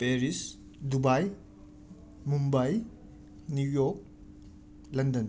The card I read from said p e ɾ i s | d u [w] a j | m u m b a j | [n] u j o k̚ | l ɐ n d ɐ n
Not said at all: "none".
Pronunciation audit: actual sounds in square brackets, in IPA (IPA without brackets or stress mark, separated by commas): b, n